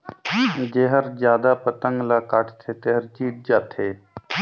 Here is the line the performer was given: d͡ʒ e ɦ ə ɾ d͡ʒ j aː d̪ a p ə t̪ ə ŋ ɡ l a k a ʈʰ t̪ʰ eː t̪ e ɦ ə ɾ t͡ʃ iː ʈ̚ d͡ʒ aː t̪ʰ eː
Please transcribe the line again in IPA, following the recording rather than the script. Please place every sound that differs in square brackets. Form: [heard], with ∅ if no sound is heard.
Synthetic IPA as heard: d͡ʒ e ɦ ə ɾ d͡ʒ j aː d̪ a p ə t̪ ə ŋ ɡ l a k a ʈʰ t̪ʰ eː t̪ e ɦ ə ɾ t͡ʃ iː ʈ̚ d͡ʒ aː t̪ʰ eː